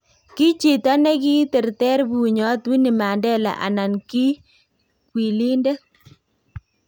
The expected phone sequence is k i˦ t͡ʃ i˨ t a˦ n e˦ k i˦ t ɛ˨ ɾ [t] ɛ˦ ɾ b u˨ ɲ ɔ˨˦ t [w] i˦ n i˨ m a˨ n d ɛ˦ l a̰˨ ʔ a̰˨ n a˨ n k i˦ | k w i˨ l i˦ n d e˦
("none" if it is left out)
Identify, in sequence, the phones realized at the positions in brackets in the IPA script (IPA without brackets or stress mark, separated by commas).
t, w